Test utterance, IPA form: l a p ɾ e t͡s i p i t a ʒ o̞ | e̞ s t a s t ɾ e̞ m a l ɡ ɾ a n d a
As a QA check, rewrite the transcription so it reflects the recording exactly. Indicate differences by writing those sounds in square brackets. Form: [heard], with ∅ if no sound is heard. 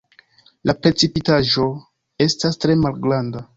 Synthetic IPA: l a p ɾ e t͡s i p i t a ʒ o̞ | e̞ s t a s t ɾ e̞ m a l ɡ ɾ a n d a